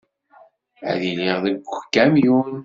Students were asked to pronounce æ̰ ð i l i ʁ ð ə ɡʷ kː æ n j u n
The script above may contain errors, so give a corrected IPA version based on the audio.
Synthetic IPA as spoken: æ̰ ð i l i ʁ ð ə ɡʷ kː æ m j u n